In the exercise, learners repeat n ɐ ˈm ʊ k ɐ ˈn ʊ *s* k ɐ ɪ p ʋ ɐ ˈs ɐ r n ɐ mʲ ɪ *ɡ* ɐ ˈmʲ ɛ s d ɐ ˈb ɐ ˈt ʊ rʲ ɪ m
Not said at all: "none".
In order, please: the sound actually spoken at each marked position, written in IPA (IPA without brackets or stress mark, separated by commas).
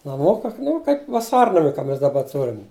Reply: none, k